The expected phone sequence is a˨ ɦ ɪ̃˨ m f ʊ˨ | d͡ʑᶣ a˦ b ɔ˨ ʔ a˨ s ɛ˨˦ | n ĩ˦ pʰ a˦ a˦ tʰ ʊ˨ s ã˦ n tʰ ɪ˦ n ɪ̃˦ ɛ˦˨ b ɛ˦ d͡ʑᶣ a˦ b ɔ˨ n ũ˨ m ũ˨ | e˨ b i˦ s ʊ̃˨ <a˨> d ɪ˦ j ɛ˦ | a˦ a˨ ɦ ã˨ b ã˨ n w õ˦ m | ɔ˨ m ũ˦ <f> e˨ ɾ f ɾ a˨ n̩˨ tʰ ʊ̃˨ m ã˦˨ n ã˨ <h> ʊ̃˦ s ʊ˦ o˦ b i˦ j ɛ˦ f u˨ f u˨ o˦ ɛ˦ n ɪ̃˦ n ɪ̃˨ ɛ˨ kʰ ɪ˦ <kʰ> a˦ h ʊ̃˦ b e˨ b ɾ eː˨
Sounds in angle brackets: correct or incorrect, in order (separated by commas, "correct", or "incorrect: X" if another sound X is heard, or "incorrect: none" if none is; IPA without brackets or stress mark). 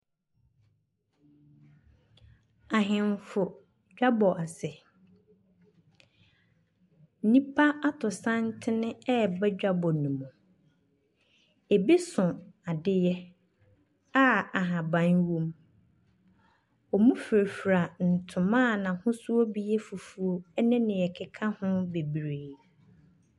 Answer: correct, correct, correct, correct